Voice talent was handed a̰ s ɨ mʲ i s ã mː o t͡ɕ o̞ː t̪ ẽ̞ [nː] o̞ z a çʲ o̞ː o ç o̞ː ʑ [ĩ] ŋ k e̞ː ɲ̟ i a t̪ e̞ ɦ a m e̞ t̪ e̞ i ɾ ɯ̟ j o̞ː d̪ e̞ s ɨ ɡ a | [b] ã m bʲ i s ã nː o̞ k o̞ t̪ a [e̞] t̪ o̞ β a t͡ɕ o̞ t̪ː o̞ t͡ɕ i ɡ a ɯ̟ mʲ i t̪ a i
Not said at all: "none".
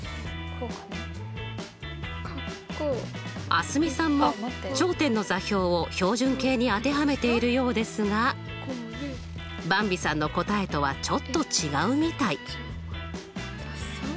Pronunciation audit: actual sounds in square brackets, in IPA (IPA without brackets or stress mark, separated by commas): nː, ɨ̃, b, e̞